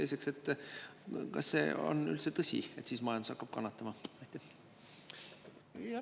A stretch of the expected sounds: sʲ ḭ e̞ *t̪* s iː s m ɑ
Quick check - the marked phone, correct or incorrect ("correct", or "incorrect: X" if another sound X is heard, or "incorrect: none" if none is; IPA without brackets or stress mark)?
correct